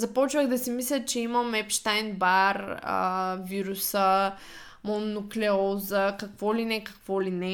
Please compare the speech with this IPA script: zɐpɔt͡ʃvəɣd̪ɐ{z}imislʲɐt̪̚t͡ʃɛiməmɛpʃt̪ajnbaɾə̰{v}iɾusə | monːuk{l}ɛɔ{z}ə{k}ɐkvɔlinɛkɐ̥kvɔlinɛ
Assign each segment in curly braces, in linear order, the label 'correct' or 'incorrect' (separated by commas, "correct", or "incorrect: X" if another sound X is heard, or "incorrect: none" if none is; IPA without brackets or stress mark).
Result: incorrect: s, correct, correct, correct, correct